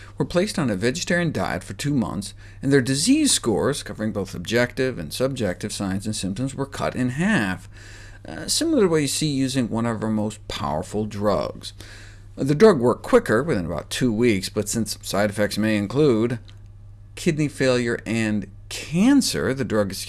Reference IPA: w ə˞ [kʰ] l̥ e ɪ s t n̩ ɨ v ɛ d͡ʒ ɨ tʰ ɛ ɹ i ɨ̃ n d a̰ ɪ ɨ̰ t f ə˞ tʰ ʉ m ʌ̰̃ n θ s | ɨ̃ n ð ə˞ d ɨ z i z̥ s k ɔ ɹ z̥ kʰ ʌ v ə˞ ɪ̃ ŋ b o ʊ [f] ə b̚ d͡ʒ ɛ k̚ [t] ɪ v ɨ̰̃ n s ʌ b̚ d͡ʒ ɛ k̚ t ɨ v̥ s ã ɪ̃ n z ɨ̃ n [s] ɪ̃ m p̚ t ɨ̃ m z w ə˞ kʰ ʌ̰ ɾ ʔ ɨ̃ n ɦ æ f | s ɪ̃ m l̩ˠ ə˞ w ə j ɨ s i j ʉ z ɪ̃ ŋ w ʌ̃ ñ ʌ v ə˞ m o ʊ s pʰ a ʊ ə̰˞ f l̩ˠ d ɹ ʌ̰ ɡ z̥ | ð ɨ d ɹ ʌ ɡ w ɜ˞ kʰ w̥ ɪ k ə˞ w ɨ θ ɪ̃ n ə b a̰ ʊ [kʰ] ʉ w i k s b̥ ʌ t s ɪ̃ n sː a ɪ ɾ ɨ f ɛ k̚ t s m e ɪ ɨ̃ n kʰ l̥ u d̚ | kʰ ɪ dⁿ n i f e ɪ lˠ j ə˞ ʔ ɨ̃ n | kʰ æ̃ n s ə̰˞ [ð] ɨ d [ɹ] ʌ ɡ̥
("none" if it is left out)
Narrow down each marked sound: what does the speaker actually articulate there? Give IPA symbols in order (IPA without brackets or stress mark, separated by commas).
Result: pʰ, θ, t, s, tʰ, ð, ɹ